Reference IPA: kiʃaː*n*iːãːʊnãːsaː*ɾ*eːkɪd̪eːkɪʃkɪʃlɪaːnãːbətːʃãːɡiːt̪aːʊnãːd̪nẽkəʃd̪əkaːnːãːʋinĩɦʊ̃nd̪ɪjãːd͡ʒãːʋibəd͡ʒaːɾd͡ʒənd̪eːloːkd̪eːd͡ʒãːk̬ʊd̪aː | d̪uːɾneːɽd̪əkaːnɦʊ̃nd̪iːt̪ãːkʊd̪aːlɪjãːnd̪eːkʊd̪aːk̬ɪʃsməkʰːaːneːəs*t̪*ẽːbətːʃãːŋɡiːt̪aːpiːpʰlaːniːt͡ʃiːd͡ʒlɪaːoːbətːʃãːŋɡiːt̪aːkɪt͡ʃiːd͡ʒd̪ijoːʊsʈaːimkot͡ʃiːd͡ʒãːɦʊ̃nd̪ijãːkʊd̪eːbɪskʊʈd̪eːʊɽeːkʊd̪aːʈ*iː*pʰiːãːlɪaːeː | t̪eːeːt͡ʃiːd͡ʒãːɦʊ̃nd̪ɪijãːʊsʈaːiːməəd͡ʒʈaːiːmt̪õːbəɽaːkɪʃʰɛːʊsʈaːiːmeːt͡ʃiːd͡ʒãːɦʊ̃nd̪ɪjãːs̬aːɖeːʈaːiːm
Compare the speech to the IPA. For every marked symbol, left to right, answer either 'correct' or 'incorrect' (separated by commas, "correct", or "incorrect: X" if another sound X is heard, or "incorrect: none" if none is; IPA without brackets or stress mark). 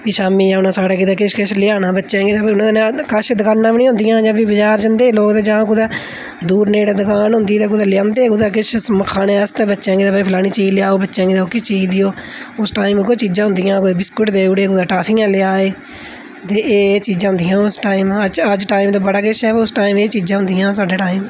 incorrect: m, incorrect: ɽ, correct, incorrect: aː